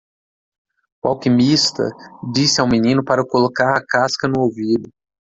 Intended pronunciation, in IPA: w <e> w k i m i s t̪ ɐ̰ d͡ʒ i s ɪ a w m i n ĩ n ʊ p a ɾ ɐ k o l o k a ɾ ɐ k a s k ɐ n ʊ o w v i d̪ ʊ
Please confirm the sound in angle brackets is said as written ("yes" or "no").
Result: no